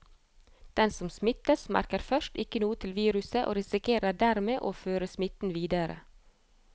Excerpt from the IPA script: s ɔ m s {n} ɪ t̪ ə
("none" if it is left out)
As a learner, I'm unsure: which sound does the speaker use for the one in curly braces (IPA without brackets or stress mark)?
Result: m